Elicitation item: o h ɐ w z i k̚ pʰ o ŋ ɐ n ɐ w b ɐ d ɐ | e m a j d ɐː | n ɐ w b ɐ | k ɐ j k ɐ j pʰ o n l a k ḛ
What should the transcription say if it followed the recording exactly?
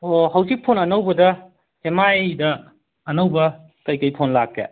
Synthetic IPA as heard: o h ɐ w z i k̚ pʰ o n ɐ n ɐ w b ɐ d ɐ | e m a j d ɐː | n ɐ w b ɐ | k ɐ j k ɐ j pʰ o n l a k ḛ

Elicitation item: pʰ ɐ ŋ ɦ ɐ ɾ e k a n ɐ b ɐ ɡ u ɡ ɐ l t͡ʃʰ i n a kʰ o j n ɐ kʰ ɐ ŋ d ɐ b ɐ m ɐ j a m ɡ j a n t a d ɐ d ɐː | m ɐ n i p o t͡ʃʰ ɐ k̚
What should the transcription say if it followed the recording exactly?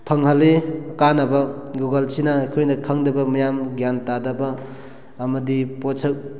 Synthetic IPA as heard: pʰ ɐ ŋ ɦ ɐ l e k a n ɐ b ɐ ɡ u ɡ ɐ l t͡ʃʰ i n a kʰ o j n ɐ kʰ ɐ ŋ d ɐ b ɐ m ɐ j a m ɡ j a n t a d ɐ b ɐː | m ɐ d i p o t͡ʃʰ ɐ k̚

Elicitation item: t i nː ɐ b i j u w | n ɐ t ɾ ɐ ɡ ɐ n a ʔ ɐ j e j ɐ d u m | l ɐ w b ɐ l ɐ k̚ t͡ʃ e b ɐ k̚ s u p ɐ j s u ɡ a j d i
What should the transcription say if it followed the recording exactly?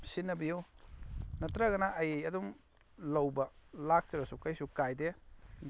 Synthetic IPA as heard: s i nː ɐ b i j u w | n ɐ t ɾ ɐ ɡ ɐ n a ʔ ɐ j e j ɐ d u m | l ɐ w b ɐ l a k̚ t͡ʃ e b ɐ s u k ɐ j s u k a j d e

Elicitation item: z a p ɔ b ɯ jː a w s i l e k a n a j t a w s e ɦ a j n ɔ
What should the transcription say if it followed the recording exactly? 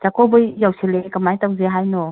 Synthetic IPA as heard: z a k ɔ b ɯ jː a w s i l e k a m a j t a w z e ɦ a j n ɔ

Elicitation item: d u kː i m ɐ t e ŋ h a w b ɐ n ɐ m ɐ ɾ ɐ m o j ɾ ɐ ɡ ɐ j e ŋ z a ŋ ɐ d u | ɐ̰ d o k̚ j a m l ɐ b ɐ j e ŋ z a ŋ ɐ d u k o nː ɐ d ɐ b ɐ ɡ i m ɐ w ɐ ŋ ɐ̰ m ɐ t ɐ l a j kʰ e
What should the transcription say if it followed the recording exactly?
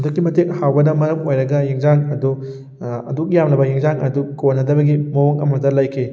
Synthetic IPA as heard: d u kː i m ɐ t e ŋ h a w b ɐ n ɐ m ɐ ɾ ɐ m o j ɾ ɐ ɡ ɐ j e ŋ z a ŋ ɐ d u | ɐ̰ d u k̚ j a m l ɐ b ɐ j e ŋ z a ŋ ɐ d u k o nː ɐ d ɐ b ɐ ɡ i m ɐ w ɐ ŋ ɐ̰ m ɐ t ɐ l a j kʰ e

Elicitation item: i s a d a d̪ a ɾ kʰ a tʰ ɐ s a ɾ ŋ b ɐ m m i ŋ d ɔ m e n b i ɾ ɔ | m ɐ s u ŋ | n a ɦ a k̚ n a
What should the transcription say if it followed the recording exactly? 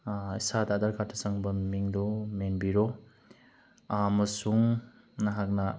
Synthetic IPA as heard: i s a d a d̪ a ɾ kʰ a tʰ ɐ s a ŋ b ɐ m m i ŋ d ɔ m e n b i ɾ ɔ | m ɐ s u ŋ | n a ɦ a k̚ n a

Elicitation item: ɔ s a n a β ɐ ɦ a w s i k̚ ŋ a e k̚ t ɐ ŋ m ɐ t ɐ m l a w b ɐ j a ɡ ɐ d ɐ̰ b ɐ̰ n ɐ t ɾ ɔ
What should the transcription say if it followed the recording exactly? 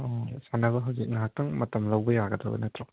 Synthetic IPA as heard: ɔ s a n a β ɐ ɦ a w z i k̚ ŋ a a k̚ t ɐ ŋ m ɐ t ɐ m l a w b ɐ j a ɡ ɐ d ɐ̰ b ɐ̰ n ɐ t ɾ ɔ

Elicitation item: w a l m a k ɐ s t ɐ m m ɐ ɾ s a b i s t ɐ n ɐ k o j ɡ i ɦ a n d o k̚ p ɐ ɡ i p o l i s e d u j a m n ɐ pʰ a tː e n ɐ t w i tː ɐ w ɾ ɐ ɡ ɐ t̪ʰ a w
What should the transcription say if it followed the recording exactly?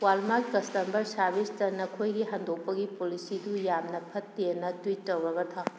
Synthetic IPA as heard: w a l m a k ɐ s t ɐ m b ɐ ɾ s a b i s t ɐ n ɐ kʰ o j ɡ i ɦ a n d o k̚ p ɐ ɡ i p o l i s i d u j a m n ɐ pʰ ɐ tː e n ɐ t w i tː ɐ w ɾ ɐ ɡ ɐ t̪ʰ a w

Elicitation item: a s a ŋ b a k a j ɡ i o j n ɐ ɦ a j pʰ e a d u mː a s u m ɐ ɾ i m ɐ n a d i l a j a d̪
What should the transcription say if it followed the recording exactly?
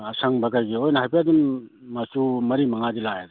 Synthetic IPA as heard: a s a ŋ b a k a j ɡ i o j n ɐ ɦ a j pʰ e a d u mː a s u m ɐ ɾ i m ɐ ŋ a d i l a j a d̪

